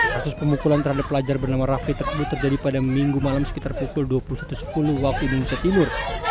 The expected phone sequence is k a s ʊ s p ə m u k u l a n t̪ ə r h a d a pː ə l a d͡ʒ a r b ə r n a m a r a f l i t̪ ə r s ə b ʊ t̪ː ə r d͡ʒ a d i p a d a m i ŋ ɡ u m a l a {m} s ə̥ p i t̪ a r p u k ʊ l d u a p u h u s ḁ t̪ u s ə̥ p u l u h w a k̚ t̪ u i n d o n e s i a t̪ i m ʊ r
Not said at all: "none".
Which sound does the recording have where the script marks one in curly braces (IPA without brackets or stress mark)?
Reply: m